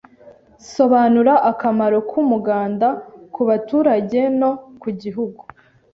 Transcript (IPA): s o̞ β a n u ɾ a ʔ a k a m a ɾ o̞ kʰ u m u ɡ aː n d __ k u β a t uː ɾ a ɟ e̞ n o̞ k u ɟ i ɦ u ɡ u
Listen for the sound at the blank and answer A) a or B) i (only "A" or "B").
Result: A